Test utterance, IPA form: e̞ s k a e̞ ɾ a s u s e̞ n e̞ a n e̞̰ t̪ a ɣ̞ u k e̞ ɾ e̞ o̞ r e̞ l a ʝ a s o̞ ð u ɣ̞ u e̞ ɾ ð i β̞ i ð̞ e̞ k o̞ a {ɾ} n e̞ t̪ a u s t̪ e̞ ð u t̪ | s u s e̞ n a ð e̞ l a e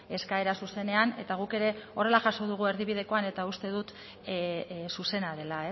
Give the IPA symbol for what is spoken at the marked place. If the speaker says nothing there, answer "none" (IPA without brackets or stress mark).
none